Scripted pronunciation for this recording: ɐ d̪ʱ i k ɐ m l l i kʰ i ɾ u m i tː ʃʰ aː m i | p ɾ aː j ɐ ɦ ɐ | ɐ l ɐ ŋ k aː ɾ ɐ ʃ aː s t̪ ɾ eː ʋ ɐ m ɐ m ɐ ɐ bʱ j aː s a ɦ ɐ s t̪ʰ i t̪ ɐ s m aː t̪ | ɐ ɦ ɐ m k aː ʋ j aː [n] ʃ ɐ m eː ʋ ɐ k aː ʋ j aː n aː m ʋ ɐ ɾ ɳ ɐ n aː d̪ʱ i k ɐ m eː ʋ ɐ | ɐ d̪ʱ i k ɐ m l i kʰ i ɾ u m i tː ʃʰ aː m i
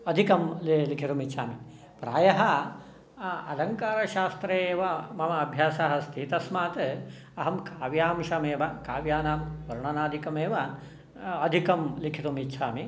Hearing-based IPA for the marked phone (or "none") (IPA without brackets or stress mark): m